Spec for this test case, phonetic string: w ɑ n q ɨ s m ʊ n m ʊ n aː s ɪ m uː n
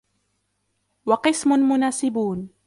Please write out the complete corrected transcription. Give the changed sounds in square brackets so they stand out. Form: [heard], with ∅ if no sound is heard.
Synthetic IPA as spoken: w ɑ [∅] q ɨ s m ʊ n m ʊ n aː s ɪ [b] uː n